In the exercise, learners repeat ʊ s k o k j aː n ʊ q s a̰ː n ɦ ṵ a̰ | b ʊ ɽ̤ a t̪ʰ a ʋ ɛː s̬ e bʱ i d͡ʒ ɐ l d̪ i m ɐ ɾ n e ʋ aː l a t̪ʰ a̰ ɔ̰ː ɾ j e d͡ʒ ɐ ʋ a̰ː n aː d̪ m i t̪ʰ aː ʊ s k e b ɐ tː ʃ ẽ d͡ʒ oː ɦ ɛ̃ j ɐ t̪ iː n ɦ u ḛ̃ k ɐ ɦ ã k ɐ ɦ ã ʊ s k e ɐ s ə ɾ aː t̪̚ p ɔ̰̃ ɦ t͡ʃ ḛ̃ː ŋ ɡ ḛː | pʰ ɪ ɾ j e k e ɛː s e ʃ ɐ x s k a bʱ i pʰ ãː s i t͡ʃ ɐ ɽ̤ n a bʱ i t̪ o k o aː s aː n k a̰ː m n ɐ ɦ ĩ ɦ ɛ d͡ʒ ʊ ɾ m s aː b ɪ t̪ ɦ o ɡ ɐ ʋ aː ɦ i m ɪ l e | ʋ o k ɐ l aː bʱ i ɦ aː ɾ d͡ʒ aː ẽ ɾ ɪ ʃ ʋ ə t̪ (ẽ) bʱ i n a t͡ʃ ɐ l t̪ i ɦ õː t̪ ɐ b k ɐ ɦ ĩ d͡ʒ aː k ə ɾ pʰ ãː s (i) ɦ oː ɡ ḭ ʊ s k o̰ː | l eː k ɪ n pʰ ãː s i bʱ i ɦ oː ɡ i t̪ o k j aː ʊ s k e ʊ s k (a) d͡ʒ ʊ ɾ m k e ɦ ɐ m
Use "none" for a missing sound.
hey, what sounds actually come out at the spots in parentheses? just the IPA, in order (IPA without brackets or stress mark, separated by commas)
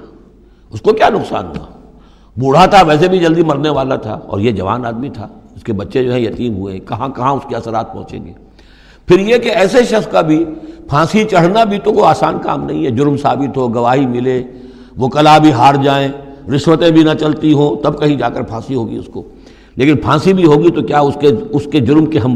ẽ, i, e